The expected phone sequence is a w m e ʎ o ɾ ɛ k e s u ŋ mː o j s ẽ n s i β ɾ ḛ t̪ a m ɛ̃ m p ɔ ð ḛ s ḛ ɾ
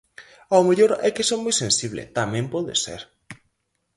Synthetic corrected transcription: a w m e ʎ o ɾ ɛ k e s o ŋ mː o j s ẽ n s i β l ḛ t̪ a m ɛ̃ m p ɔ ð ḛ s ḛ ɾ